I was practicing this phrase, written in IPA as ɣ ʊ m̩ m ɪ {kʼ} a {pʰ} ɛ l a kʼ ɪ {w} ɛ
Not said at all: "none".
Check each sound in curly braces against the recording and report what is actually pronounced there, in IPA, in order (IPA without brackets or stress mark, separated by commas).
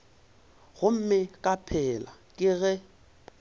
kʼ, pʰ, ɣ